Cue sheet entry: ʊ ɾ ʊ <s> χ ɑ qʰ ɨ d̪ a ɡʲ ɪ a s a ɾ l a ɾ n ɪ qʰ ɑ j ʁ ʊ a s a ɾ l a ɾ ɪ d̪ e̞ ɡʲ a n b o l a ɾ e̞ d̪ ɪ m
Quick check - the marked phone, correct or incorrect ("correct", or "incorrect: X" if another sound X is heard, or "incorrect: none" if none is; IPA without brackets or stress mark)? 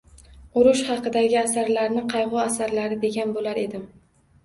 incorrect: ʃ